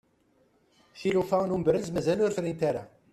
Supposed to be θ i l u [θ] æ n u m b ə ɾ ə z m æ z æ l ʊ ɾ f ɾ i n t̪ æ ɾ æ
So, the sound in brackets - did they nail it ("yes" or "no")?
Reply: no